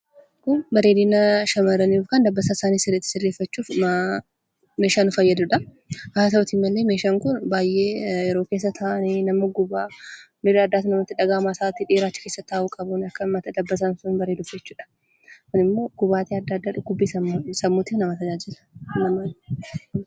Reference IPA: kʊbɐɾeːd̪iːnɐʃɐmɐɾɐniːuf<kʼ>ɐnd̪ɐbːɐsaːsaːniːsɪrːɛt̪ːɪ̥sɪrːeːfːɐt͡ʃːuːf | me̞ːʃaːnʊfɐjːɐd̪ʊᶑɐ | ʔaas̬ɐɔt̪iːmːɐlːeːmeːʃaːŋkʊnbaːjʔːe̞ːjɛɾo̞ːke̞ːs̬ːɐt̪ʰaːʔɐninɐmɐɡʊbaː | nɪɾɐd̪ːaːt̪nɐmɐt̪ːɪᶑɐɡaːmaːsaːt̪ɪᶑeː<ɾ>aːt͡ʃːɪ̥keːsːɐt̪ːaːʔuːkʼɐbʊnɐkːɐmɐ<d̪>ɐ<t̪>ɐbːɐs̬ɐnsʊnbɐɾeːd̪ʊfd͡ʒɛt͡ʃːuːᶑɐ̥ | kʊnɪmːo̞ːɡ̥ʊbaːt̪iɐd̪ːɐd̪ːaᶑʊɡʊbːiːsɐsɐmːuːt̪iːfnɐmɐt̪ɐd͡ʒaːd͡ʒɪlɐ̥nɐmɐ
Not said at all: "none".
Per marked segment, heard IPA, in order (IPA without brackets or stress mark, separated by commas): k, ɾ, t̪, d̪